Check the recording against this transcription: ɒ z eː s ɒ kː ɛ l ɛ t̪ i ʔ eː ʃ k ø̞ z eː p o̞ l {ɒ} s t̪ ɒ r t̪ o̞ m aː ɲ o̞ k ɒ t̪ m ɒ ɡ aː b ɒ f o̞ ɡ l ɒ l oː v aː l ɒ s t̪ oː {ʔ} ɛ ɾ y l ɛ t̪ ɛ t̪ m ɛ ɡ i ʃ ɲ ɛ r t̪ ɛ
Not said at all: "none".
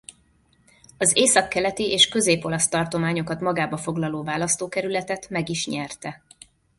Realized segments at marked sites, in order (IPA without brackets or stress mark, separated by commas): ɒ, k